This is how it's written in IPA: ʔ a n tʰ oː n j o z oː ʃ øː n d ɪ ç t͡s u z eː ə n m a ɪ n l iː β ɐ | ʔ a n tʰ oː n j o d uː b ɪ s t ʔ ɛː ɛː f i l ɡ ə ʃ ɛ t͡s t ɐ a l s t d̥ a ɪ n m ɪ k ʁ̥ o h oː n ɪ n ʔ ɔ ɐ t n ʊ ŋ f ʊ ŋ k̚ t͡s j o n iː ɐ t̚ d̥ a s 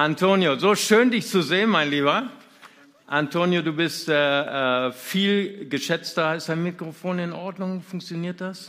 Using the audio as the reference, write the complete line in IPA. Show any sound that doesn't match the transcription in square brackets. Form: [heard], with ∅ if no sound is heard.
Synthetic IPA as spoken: ʔ a n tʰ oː n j o z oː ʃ øː n d ɪ ç t͡s u z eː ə n m a ɪ n l iː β ɐ | ʔ a n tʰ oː n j o d uː b ɪ s t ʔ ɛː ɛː f [iː] l ɡ ə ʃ ɛ t͡s t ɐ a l s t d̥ a ɪ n m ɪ k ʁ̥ o [f] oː n ɪ n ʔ ɔ ɐ [d] n ʊ ŋ f ʊ ŋ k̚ t͡s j o n iː ɐ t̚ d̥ a s